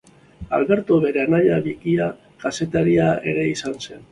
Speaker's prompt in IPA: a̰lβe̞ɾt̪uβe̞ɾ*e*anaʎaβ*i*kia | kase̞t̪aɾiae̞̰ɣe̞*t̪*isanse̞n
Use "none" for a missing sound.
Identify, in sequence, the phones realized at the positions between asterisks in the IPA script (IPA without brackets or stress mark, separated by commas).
e, i, none